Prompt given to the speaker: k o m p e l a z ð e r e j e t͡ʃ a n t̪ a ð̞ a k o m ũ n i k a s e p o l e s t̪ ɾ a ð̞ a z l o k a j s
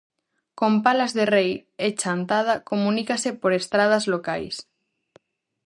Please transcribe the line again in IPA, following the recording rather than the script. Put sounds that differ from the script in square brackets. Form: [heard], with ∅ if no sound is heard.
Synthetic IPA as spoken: k o m p [a] l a z ð e r e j e t͡ʃ a n t̪ a ð̞ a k o m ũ n i k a s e p o [ɾ] e s t̪ ɾ a ð̞ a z l o k a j s